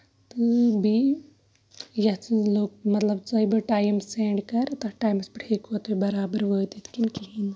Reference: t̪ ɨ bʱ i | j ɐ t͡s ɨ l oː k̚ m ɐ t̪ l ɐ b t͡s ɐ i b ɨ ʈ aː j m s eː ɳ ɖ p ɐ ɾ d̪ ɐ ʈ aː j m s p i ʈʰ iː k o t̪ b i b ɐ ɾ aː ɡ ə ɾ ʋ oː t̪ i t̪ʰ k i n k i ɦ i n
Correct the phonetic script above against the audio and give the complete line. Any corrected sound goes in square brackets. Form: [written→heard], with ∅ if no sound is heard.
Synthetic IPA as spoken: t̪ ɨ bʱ i | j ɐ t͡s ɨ l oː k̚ m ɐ t̪ l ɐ b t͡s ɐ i b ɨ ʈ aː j m s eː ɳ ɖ [p→k] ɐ ɾ [d̪→t̪] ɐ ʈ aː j m s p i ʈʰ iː k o t̪ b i b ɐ ɾ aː [ɡ→b] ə ɾ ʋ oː t̪ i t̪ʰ k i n k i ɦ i n